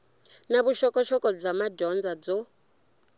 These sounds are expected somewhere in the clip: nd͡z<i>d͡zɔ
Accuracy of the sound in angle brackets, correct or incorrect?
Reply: incorrect